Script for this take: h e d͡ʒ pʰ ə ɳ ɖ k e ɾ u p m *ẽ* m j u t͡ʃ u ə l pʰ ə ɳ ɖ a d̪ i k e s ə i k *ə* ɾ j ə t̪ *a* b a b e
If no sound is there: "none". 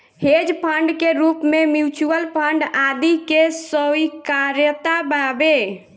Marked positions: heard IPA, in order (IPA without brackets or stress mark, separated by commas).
e, a, a